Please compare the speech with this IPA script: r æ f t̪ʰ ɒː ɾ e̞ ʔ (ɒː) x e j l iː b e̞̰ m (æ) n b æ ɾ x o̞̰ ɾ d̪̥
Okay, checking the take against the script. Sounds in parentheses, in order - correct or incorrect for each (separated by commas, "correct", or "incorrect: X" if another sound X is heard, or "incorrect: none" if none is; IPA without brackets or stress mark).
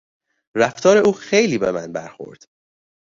incorrect: uː, correct